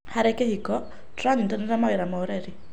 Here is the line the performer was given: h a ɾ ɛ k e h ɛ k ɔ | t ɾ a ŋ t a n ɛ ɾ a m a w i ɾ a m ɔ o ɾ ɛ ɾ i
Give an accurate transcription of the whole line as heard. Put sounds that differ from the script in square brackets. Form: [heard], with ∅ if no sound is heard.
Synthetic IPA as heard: h a ɾ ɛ k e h [i] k ɔ | t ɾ a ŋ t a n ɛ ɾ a m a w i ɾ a m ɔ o ɾ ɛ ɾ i